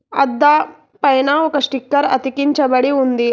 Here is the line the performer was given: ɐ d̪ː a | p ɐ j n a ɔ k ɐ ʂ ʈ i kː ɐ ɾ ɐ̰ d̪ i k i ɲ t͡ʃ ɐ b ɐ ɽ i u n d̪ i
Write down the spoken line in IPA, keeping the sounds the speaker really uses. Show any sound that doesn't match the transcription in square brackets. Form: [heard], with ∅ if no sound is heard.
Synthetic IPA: ɐ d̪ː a | p ɐ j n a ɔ k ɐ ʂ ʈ i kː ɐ ɾ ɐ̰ [t̪] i k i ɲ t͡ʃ ɐ b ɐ ɽ i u n d̪ i